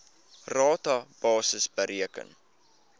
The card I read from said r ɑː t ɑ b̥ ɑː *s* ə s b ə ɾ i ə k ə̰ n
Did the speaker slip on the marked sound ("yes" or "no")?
no